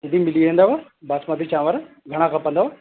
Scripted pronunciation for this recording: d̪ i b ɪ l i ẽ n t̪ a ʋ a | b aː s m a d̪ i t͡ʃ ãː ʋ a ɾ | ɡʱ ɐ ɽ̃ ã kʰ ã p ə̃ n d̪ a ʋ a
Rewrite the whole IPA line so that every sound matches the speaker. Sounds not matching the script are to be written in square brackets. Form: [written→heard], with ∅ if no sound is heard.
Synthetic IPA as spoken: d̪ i [b→m] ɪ l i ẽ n [t̪→d̪] a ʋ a | b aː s m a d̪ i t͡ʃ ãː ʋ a ɾ | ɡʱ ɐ ɽ̃ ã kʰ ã p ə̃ n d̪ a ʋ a